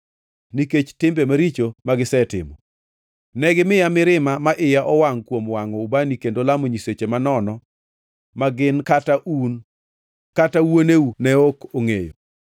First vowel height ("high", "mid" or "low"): high